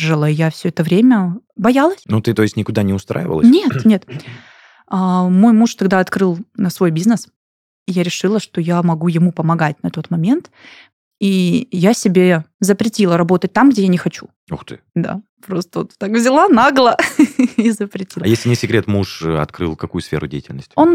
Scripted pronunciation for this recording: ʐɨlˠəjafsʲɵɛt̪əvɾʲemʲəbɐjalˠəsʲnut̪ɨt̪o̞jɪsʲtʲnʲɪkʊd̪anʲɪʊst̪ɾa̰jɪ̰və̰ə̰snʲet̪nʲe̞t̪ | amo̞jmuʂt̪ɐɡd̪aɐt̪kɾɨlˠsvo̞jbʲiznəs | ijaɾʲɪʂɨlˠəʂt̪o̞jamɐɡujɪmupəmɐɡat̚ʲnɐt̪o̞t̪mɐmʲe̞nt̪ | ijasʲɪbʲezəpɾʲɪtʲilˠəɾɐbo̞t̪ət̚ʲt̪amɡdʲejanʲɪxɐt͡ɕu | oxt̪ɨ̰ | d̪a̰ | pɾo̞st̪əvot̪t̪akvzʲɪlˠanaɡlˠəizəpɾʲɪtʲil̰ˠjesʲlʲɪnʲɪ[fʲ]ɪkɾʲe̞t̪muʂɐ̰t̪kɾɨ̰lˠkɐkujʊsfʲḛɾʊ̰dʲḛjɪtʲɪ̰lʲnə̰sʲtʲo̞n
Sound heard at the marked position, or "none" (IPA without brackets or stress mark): sʲ